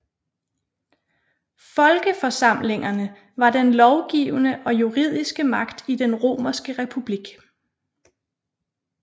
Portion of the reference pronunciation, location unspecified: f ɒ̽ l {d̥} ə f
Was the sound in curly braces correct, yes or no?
no